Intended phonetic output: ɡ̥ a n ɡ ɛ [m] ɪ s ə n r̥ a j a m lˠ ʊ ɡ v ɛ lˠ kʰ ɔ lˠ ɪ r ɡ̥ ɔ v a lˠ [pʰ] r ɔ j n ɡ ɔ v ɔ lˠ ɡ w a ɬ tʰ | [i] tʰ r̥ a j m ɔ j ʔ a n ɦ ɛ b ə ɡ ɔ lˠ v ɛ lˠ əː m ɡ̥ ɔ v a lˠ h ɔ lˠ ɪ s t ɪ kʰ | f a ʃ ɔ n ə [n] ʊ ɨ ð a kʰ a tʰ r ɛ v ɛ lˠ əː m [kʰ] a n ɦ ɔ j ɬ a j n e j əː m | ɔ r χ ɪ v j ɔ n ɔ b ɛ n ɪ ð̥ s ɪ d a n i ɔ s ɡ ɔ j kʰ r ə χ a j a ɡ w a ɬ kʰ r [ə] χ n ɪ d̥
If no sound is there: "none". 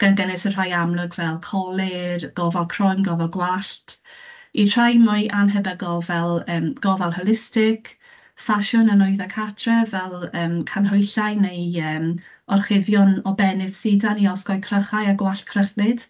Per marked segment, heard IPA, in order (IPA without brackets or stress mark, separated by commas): n, kʰ, i, n, kʰ, ə